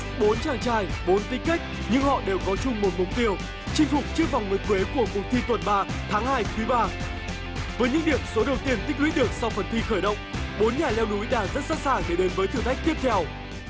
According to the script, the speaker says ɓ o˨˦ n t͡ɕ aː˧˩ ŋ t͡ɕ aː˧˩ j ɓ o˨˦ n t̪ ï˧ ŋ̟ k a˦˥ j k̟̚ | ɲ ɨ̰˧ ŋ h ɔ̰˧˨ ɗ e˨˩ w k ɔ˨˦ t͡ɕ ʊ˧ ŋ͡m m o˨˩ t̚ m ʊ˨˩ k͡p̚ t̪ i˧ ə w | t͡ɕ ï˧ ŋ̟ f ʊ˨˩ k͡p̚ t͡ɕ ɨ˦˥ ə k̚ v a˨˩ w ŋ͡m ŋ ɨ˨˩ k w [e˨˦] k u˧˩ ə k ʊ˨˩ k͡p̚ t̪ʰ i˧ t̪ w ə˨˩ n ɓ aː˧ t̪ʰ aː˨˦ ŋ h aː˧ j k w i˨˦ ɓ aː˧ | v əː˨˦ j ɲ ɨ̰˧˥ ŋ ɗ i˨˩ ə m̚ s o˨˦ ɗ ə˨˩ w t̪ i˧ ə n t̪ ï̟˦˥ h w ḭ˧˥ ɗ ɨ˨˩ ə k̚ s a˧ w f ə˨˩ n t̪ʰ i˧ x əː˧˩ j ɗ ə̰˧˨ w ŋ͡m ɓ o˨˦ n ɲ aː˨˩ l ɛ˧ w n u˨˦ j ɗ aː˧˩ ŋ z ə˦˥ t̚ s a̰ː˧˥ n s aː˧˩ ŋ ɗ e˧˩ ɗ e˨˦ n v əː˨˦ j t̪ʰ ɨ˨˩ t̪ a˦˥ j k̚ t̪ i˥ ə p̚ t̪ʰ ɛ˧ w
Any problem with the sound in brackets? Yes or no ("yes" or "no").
no